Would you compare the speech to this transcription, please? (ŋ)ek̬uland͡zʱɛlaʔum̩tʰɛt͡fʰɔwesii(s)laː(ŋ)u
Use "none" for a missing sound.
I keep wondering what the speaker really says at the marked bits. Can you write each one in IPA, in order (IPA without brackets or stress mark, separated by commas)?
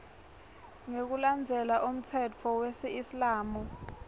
ŋ, s, m